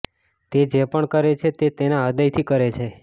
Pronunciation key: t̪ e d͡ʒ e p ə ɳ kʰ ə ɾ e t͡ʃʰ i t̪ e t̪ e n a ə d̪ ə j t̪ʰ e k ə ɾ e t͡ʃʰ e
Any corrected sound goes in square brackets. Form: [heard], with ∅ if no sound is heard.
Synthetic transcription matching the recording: t̪ e d͡ʒ e p ə ɳ [k] ə ɾ e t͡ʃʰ [e] t̪ e t̪ e n a ə d̪ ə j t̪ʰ [i] k ə ɾ e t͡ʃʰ e